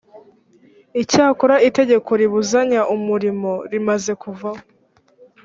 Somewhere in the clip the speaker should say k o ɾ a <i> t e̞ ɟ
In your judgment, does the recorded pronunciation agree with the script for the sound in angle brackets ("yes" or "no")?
yes